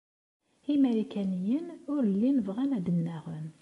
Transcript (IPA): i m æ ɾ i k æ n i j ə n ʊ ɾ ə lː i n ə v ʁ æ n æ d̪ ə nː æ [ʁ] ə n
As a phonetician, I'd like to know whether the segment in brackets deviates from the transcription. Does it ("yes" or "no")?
no